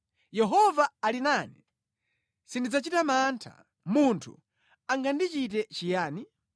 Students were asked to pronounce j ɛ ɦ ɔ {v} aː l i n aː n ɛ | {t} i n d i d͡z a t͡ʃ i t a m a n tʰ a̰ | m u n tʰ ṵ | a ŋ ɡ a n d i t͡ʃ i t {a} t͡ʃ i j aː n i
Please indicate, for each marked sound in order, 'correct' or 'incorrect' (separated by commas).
correct, incorrect, incorrect